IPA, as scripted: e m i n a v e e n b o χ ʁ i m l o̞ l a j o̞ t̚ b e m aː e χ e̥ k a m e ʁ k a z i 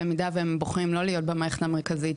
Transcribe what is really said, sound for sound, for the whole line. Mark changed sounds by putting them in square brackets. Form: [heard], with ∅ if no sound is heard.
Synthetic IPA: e m i [d] a v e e [m] b o χ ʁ i m l o̞ l [i] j o̞ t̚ b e m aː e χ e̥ [t] a m e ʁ k a z i